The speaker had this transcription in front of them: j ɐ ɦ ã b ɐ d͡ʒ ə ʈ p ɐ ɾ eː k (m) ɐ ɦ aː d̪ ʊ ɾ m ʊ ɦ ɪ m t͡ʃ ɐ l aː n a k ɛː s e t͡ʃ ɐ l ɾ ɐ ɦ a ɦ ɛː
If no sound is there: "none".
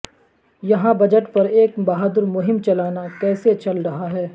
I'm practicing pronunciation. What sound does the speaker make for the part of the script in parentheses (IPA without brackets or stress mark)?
b